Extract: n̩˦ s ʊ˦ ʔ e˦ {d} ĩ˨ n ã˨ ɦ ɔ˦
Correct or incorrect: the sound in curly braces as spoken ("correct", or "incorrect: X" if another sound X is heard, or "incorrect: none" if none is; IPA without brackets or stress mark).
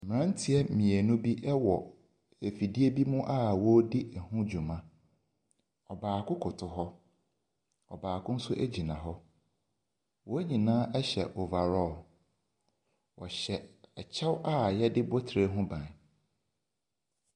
incorrect: d͡ʑ